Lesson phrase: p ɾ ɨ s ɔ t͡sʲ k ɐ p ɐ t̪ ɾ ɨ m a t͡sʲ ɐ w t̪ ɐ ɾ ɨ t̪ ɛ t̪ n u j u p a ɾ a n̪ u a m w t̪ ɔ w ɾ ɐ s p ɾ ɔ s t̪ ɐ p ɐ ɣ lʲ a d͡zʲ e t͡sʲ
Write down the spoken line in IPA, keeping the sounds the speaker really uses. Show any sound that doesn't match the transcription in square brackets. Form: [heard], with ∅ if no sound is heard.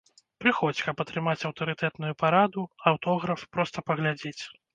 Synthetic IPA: p ɾ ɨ [x] ɔ t͡sʲ k ɐ p ɐ t̪ ɾ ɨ m a t͡sʲ ɐ w t̪ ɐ ɾ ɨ t̪ ɛ t̪ n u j u p a ɾ a [d̪] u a [∅] w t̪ ɔ [ɣ] ɾ ɐ [f] p ɾ ɔ s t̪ ɐ p ɐ ɣ lʲ a d͡zʲ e t͡sʲ